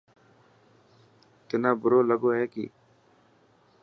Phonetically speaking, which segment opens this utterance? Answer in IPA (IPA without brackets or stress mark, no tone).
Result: t̪